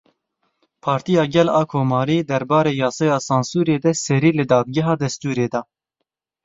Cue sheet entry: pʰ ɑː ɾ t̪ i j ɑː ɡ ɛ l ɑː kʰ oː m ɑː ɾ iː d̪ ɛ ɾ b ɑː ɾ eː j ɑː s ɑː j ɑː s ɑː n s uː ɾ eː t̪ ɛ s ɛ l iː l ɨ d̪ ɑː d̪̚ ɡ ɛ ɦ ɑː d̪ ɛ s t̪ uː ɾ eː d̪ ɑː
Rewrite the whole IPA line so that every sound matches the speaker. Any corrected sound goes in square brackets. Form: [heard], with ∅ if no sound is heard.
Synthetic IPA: pʰ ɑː ɾ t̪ i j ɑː ɡ ɛ l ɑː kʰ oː m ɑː ɾ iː d̪ ɛ ɾ b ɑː ɾ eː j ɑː s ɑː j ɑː s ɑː n s uː ɾ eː [d̪] ɛ s ɛ [ɾ] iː l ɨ d̪ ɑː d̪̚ ɡ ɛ ɦ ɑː d̪ ɛ s t̪ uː ɾ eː d̪ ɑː

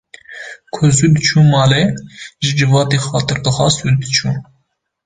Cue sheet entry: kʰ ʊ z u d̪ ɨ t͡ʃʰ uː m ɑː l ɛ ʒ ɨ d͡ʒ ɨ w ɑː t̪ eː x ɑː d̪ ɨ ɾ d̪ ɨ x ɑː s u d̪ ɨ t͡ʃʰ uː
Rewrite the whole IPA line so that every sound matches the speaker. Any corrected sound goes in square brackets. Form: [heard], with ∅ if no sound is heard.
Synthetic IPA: kʰ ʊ z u d̪ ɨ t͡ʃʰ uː m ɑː l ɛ ʒ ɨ d͡ʒ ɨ [v] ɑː t̪ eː x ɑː [t̪] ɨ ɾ d̪ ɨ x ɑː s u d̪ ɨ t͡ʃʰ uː

